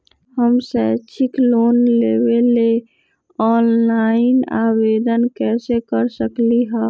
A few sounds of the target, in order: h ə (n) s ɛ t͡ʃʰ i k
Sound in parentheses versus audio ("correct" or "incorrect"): incorrect